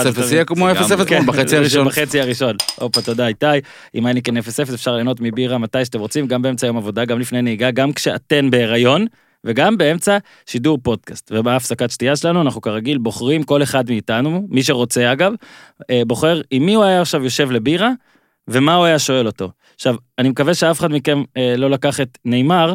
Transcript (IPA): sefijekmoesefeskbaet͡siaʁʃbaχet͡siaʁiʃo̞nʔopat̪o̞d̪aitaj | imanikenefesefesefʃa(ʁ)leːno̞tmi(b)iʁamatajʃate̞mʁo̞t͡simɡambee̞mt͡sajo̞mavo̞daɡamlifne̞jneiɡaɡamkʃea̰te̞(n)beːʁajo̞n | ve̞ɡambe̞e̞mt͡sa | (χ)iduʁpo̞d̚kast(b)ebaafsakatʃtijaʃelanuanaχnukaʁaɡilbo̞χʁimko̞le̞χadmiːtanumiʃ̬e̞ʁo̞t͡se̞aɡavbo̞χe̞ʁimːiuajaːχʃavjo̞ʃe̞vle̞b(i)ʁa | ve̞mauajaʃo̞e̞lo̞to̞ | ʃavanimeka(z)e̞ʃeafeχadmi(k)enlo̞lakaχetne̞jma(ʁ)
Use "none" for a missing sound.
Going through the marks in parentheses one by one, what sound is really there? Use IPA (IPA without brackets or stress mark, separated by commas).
ʁ, b, n, ʃ, v, i, v, k, ʁ